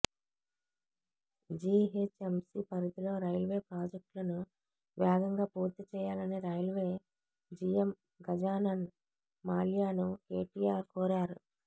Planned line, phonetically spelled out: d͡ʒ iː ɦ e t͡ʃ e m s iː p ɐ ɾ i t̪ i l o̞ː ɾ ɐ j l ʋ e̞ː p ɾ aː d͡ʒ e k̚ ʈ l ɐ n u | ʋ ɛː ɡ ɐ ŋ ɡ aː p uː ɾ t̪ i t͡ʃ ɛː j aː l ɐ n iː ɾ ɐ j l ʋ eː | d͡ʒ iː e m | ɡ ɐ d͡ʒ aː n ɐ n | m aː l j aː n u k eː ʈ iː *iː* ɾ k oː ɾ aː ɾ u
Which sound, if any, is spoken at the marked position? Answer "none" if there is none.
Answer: aː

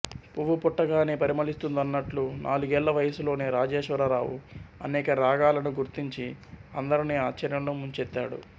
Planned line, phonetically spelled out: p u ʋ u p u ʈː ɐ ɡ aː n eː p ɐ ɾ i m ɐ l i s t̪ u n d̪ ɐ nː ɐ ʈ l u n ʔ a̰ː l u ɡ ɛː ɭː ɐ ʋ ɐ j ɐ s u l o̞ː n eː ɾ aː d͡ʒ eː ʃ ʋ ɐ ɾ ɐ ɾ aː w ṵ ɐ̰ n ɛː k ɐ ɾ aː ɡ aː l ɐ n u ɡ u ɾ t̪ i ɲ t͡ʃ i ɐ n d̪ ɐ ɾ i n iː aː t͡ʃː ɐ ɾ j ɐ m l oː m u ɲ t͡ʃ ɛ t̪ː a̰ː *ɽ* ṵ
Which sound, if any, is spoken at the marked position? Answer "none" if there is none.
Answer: ɽ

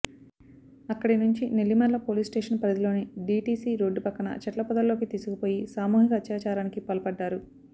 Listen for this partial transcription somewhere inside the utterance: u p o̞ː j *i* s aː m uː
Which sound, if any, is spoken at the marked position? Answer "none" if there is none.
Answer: i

